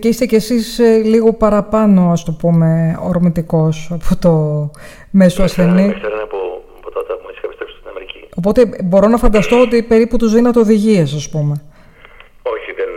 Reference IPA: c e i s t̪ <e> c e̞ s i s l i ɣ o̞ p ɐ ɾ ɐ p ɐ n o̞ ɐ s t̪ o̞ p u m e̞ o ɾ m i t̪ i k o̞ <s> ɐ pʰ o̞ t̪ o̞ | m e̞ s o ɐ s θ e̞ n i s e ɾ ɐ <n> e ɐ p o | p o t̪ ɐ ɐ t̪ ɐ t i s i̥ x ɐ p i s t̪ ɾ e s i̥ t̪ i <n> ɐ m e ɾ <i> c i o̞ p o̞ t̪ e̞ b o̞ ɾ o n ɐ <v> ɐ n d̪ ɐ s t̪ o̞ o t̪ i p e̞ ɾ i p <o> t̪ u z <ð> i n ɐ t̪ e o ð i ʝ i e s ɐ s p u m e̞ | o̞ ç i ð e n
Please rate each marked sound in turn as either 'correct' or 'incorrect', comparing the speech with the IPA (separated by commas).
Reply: correct, correct, correct, correct, correct, incorrect, incorrect, correct